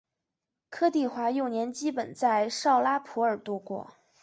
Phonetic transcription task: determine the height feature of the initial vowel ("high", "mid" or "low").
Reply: mid